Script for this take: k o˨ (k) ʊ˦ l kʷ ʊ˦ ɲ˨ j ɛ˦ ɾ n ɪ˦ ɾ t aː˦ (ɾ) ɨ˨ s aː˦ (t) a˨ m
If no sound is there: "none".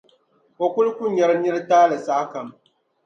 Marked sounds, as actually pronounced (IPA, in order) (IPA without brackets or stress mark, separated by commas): k, l, k